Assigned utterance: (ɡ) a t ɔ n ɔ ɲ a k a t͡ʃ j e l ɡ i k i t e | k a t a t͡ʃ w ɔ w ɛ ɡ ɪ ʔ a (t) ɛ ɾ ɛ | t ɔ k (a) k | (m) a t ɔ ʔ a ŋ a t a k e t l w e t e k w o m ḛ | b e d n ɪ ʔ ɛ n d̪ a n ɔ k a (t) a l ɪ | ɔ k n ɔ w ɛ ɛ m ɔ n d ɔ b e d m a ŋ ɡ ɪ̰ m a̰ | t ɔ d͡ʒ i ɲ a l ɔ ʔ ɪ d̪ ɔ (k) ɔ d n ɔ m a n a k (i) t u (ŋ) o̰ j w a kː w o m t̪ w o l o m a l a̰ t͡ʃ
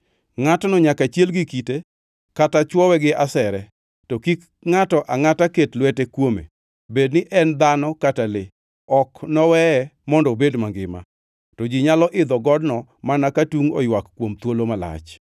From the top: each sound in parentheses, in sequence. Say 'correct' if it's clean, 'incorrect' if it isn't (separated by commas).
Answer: incorrect, incorrect, incorrect, incorrect, correct, incorrect, incorrect, correct